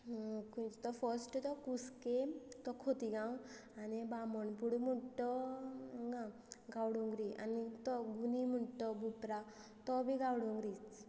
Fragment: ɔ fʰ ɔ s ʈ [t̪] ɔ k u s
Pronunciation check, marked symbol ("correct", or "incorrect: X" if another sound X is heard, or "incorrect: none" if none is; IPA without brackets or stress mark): correct